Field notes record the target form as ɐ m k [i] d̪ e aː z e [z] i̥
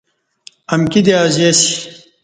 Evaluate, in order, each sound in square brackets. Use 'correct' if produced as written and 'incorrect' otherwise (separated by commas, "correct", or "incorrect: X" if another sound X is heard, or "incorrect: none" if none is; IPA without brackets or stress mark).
correct, incorrect: s